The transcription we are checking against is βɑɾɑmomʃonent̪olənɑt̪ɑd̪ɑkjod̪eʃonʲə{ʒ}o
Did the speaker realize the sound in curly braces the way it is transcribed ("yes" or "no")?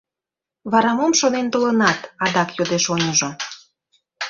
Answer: yes